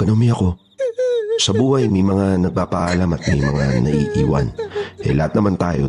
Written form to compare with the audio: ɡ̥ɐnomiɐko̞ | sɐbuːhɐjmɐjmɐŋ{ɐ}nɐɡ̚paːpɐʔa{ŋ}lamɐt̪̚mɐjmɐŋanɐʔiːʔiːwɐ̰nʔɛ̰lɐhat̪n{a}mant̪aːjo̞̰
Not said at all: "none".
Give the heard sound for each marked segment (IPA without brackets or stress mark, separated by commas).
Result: a, none, ɐ